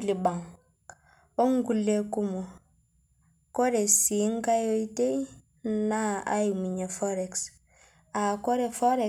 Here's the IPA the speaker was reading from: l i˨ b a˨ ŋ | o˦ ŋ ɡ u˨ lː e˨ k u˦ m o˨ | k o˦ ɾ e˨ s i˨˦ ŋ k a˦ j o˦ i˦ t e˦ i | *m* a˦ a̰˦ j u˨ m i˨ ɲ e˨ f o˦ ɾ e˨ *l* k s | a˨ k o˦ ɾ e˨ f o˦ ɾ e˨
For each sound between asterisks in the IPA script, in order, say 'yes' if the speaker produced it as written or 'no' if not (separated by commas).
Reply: no, no